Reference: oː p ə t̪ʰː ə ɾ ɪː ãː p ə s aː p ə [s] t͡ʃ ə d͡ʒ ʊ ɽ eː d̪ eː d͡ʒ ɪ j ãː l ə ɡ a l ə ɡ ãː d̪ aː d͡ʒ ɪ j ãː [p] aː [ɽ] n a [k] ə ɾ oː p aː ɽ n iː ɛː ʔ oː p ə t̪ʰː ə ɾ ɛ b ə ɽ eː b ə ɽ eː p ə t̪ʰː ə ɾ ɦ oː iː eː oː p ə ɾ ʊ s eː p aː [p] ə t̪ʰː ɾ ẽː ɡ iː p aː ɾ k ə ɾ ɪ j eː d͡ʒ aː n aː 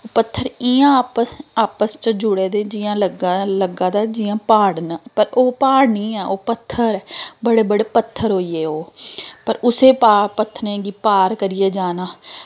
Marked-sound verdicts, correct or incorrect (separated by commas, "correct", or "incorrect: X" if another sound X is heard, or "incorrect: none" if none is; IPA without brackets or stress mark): correct, correct, correct, incorrect: p, correct